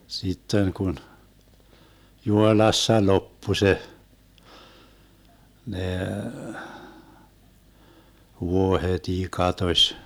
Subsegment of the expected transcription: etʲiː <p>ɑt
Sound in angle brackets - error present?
yes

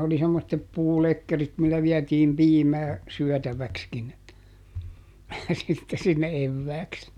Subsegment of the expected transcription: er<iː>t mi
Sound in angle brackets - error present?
yes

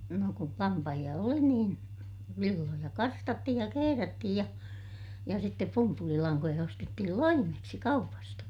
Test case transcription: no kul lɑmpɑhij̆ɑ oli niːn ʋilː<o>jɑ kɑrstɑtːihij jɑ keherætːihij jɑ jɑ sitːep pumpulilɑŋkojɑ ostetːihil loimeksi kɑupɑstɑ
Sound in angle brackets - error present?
no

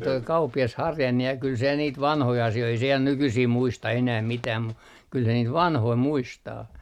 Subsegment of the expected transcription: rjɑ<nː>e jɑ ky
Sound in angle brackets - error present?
no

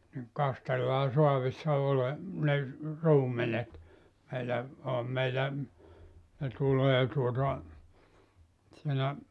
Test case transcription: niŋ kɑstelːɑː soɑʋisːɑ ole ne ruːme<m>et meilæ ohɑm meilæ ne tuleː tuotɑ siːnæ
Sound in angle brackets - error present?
yes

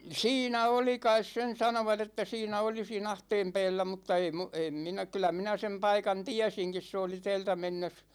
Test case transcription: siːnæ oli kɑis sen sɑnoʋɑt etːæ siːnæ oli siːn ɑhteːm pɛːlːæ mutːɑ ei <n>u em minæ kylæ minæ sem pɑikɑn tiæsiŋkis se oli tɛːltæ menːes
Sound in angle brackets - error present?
yes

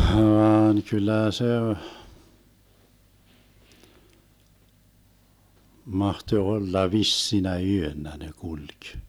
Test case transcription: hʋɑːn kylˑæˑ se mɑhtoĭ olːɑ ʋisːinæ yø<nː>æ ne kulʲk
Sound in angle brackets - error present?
no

